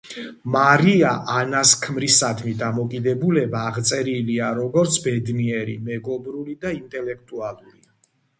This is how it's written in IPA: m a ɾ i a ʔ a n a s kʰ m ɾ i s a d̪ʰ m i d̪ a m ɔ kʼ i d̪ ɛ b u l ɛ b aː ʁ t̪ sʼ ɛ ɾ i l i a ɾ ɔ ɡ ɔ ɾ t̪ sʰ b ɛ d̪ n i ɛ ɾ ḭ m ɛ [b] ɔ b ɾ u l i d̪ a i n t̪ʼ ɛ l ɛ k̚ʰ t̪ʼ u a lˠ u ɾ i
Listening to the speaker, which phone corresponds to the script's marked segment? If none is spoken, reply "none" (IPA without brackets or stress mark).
ɡ